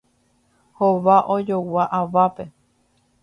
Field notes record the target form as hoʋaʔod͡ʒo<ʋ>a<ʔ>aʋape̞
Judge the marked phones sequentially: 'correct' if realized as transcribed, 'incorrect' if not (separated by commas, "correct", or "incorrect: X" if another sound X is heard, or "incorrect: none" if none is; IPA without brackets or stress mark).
incorrect: w, correct